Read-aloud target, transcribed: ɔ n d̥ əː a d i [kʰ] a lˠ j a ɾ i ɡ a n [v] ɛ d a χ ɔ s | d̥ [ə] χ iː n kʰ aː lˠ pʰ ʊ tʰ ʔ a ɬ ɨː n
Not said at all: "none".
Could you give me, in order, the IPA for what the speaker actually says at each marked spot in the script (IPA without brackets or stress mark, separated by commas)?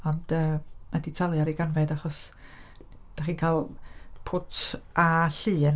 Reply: tʰ, v, a